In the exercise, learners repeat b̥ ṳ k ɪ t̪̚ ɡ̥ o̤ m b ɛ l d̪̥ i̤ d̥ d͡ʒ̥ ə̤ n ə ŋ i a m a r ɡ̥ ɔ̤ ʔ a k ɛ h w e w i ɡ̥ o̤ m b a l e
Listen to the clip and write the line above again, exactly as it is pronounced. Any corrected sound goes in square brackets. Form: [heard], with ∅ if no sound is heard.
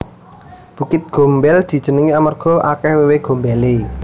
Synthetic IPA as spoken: b̥ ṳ k ɪ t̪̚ ɡ̥ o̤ m b ɛ l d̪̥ i̤ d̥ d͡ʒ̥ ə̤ n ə ŋ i a m a r ɡ̥ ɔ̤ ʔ a k ɛ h w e w [e] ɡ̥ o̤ m b [ɛ] l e